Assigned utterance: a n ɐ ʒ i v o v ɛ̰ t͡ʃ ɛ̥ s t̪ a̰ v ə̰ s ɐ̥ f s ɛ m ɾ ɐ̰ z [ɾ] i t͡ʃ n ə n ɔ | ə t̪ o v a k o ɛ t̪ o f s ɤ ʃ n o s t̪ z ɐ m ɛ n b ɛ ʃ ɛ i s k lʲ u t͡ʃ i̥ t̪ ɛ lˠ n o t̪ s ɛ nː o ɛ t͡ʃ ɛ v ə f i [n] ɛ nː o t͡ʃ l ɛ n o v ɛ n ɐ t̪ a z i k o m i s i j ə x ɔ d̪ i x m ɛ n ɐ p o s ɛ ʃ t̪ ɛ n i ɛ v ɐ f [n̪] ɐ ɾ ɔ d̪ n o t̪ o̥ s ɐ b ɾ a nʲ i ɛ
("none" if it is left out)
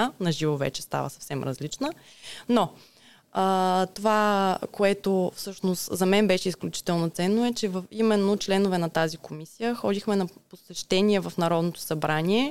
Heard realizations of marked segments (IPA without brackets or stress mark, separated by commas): l, m, n̪